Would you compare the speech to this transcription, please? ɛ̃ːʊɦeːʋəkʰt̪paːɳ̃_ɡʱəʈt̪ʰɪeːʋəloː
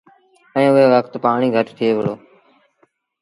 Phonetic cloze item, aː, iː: iː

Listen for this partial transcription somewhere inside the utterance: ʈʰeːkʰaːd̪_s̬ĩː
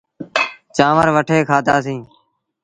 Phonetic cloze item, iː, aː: aː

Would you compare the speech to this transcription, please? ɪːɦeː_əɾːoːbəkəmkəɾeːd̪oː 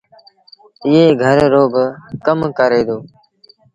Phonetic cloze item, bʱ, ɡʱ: ɡʱ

